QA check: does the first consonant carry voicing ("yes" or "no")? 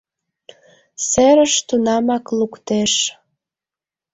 no